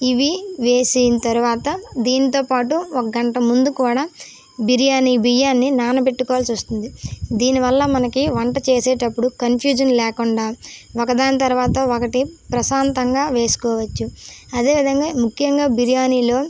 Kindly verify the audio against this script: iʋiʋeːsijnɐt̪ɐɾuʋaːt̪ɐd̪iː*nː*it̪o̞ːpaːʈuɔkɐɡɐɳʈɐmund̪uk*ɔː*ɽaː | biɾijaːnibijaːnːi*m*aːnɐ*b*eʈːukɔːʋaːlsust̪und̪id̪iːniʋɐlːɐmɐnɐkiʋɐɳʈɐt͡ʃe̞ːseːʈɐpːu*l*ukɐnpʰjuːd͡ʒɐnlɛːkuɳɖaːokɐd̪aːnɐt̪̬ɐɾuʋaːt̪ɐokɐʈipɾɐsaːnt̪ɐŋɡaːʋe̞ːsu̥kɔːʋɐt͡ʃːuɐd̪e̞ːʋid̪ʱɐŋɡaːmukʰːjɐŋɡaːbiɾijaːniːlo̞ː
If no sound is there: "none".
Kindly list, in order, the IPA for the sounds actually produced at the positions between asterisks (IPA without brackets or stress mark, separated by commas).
n, uː, n, p, ɽ